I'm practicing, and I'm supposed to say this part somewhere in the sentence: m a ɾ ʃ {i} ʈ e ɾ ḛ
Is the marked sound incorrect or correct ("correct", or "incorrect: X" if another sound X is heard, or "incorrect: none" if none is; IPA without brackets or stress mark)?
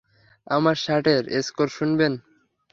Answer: incorrect: a